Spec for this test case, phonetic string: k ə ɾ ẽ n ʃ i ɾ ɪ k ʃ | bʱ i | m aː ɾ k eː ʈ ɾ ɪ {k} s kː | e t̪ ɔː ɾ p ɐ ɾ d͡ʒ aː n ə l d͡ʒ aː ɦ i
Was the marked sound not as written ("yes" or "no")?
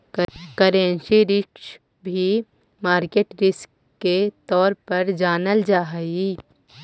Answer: yes